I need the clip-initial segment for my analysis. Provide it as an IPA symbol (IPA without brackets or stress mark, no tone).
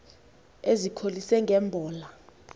e